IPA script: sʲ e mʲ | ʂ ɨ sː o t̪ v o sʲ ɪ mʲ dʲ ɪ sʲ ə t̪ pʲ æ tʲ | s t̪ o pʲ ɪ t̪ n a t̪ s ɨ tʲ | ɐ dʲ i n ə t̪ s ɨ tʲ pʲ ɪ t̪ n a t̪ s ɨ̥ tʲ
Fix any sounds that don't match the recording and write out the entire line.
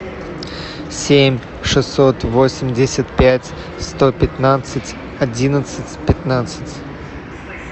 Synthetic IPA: sʲ e mʲ | ʂ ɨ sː o t̪ v o sʲ ɪ mʲ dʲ ɪ sʲ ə t̪ pʲ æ tʲ | s t̪ o pʲ ɪ t̪ n a t̪ s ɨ tʲ | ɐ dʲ i n ə t̪ s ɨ tʲ pʲ ɪ t̪ n a t̪ s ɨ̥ tʲ